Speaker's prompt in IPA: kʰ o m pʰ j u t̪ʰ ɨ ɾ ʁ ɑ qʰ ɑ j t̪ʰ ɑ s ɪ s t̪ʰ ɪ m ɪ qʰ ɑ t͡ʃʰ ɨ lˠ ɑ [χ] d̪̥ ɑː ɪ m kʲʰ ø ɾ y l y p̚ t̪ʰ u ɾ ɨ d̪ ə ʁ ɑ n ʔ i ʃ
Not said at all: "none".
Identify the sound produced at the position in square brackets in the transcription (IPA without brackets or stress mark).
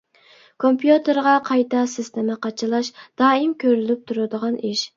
ʃ